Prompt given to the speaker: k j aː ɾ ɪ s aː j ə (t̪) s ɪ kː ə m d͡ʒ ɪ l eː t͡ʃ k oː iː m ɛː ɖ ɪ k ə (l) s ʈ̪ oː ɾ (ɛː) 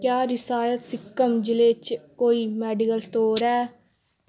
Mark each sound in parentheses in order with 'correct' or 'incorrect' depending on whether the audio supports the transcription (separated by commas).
correct, correct, correct